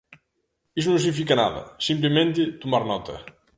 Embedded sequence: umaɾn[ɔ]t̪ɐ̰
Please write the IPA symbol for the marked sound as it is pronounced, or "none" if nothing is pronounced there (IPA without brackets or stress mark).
ɔ